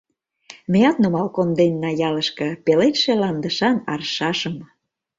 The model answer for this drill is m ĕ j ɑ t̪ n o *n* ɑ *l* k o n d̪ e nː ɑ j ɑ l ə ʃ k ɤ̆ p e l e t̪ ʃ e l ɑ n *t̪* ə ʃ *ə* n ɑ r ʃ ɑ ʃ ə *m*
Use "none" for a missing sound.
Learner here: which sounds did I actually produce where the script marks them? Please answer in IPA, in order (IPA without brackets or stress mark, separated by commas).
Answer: m, l, d̪, ɑ, m